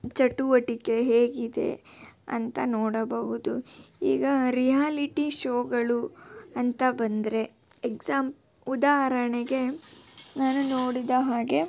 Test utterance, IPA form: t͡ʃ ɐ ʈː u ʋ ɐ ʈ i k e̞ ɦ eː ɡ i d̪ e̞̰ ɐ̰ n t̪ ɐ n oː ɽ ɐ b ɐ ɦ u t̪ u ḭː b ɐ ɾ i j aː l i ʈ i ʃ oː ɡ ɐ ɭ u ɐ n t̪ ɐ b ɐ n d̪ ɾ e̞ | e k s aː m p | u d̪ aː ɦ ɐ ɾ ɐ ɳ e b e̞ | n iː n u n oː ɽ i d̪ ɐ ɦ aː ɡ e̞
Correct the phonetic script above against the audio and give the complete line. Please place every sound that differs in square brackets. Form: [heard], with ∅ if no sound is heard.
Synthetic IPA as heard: t͡ʃ ɐ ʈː u ʋ ɐ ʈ i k e̞ ɦ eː ɡ i d̪ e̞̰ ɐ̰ n t̪ ɐ n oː ɽ ɐ b ɐ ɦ u [d̪] u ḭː [ɡ] ɐ ɾ i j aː l i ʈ i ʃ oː ɡ ɐ ɭ u ɐ n t̪ ɐ b ɐ n d̪ ɾ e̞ | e k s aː m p | u d̪ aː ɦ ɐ ɾ ɐ ɳ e [ɡ] e̞ | n [aː] n u n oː ɽ i d̪ ɐ ɦ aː ɡ e̞